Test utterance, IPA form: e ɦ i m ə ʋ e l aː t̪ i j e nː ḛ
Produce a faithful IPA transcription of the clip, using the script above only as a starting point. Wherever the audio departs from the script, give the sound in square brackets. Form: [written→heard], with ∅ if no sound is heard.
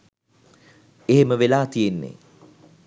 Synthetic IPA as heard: e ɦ [i→e] m ə ʋ e l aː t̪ i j e nː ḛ